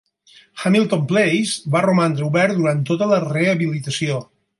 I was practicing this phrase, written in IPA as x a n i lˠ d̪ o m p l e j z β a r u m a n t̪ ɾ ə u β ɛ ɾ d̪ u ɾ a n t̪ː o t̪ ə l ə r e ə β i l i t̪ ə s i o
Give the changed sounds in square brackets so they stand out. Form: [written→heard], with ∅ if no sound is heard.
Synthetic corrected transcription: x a [n→m] i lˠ [d̪→t̪] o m p l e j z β a r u m a n [t̪→d̪] ɾ ə u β ɛ ɾ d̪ u ɾ a n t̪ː o t̪ ə l ə r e ə β i l i t̪ ə s i o